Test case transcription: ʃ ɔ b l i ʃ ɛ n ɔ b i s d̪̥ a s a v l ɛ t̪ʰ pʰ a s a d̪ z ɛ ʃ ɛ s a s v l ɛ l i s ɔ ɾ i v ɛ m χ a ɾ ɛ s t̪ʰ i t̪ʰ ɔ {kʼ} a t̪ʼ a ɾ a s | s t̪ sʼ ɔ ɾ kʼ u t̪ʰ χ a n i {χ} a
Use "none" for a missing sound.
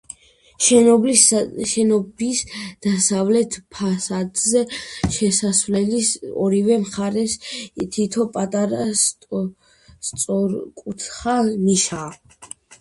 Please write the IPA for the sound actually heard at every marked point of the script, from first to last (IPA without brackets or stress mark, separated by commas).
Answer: pʼ, ʃ